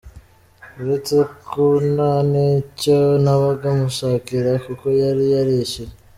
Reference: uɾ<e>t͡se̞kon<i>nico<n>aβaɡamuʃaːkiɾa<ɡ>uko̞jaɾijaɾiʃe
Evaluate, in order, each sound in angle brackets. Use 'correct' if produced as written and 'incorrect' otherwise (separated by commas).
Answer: correct, incorrect, correct, incorrect